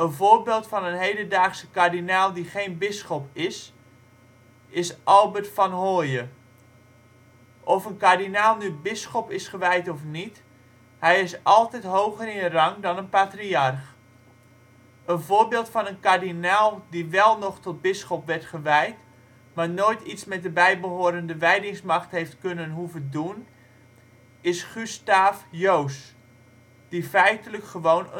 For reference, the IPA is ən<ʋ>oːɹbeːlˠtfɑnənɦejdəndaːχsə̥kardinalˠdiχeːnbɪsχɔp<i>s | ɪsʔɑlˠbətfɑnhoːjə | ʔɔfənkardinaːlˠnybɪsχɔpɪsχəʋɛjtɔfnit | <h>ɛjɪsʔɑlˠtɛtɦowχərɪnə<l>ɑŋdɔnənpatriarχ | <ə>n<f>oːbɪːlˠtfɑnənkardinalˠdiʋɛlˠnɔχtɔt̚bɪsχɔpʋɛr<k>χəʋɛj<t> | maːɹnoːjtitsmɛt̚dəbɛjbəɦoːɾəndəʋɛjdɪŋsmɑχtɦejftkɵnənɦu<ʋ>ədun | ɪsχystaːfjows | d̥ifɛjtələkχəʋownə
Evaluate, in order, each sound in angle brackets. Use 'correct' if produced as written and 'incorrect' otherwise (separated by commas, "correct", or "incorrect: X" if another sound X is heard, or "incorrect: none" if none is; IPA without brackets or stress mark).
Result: incorrect: v, incorrect: ɪ, correct, incorrect: r, correct, incorrect: v, incorrect: t, correct, incorrect: v